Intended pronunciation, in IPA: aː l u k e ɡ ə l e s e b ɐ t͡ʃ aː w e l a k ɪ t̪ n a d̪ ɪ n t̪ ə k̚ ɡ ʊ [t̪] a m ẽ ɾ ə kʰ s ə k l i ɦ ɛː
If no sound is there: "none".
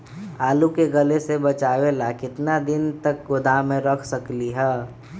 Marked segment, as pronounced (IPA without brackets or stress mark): d̪